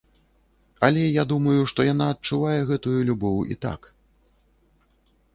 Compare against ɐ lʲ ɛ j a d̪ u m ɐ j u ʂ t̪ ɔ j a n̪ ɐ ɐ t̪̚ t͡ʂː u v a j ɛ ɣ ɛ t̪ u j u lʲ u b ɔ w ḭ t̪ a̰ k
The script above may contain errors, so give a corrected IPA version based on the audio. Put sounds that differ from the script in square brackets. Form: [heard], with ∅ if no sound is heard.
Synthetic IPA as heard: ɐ lʲ ɛ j a d̪ u m ɐ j u ʂ t̪ ɔ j a n̪ [a] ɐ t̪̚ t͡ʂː u v a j ɛ ɣ ɛ t̪ u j u lʲ u b ɔ w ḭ t̪ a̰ k